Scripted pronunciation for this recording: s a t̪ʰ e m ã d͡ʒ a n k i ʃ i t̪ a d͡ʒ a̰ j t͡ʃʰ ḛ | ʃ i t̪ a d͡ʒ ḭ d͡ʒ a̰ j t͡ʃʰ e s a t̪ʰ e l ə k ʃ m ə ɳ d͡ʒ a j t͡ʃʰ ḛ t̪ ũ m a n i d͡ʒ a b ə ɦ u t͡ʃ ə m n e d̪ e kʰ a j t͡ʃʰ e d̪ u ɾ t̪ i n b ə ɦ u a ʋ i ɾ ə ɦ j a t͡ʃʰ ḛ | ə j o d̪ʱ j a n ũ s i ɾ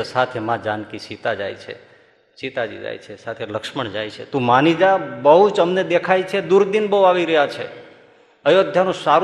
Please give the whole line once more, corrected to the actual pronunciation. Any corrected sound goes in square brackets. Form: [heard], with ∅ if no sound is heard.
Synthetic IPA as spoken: s a t̪ʰ e m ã d͡ʒ a n k i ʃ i t̪ a d͡ʒ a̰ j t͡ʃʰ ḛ | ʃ i t̪ a d͡ʒ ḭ d͡ʒ a̰ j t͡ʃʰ e s a t̪ʰ e l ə k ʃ m ə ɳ d͡ʒ a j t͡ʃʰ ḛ t̪ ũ m a n i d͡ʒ a b ə ɦ u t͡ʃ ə m n e d̪ e kʰ a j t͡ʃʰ e d̪ u ɾ [d̪] i n b ə ɦ u a ʋ i ɾ ə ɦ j a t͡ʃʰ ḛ | ə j o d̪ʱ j a n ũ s [a] ɾ